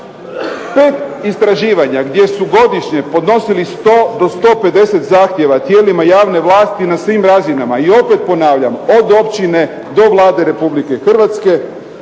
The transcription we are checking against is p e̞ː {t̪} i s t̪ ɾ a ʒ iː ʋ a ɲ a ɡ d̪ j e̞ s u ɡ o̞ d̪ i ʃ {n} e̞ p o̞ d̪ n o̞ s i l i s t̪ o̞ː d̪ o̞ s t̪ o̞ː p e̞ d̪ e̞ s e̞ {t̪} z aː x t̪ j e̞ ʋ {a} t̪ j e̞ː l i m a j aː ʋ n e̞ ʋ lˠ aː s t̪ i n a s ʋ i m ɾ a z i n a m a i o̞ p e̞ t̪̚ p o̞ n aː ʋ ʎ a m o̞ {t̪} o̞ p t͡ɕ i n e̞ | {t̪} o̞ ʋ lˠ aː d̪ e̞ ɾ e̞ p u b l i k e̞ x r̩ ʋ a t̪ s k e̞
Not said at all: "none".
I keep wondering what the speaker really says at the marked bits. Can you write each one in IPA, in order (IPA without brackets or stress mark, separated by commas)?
t̪, ɲ, t̪, a, d̪, d̪